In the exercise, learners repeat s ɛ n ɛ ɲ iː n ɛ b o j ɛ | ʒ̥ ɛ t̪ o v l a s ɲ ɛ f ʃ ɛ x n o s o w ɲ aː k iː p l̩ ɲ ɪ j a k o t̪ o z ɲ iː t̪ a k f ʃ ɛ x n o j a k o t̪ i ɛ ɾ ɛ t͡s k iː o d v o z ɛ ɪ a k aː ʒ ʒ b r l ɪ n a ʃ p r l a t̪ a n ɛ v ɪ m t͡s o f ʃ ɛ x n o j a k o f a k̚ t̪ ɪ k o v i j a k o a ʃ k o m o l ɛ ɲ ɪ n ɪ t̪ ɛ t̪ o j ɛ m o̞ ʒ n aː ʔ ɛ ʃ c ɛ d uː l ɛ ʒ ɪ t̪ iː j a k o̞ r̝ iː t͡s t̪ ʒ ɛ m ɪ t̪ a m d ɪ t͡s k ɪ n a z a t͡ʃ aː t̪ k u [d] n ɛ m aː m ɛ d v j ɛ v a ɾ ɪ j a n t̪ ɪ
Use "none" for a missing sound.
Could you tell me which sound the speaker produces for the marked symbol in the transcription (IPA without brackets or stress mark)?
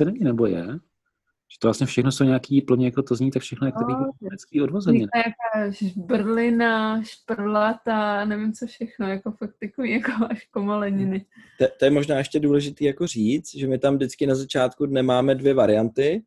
d